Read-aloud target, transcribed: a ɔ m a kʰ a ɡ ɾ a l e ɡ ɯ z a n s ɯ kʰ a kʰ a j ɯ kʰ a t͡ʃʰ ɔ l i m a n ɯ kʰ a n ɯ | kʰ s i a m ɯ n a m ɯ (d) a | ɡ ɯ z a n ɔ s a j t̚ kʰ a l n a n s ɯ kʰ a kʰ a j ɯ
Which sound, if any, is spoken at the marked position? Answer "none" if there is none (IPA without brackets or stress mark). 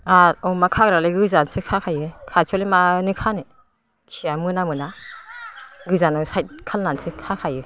n